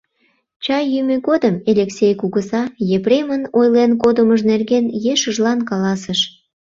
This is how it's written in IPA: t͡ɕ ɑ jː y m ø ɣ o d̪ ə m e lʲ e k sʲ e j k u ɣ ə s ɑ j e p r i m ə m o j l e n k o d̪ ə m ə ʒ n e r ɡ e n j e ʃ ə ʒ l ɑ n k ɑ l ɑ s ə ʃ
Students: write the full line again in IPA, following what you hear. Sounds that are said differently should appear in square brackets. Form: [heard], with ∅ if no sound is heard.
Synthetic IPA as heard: t͡ɕ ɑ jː y m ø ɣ o d̪ ə m e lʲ e k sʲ e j k u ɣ ə s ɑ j e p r [e] m ə [n] o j l e n k o d̪ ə m ə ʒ n e r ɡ e n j e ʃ ə ʒ l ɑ n k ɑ l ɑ s ə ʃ